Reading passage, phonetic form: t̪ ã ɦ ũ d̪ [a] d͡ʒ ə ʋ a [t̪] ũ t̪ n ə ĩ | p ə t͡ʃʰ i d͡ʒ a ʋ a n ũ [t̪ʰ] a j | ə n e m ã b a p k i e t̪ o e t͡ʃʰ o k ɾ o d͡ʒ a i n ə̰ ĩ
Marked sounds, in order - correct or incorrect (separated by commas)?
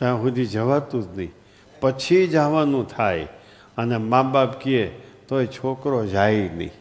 incorrect, correct, correct